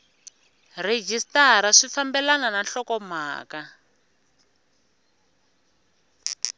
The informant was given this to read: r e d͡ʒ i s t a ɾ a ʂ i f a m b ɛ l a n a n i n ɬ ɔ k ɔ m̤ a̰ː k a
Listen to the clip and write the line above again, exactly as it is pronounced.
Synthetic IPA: r e d͡ʒ i s t a ɾ a ʂ i f a m b ɛ l a n a n a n ɬ ɔ k ɔ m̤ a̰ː k a